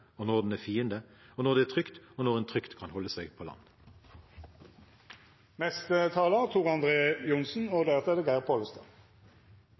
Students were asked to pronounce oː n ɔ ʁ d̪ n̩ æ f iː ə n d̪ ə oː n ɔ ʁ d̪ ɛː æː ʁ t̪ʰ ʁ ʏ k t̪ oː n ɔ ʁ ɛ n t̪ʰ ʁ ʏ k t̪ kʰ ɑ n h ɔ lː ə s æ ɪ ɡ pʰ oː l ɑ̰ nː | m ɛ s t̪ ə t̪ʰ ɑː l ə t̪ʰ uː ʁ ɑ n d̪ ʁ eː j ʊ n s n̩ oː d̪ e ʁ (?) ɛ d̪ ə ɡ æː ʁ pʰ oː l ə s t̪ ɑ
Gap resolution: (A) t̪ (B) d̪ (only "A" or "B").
A